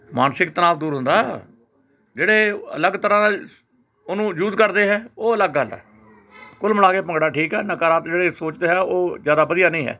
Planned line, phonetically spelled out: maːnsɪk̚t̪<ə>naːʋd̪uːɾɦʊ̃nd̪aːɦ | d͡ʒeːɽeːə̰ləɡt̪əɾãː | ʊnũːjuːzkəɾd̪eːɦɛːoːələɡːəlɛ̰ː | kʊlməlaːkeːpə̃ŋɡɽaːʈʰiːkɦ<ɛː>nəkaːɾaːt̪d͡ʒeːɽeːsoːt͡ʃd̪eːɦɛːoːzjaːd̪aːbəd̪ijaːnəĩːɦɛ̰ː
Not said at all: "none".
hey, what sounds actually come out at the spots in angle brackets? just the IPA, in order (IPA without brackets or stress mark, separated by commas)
ə, ɛː